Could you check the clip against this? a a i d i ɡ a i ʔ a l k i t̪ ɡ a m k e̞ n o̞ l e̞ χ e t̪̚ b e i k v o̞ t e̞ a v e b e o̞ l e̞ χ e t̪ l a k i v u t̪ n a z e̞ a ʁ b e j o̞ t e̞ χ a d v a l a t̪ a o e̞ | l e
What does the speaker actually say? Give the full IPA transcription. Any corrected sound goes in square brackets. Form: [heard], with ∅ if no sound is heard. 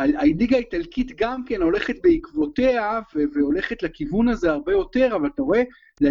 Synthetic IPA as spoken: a a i d i ɡ a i [t] a l k i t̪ ɡ a m k e̞ n o̞ l e̞ χ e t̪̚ b e i k v o̞ t e̞ a v e [v] e o̞ l e̞ χ e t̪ l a k i v u [∅] n a z e̞ a ʁ b e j o̞ t e̞ [ʁ] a [∅] v a l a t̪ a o e̞ | l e